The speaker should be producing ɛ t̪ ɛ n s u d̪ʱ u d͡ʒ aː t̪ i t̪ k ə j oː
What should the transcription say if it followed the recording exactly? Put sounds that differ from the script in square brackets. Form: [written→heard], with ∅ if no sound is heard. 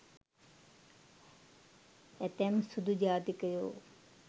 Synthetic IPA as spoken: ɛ t̪ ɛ [n→m] s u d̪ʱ u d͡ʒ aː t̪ i [t̪→∅] k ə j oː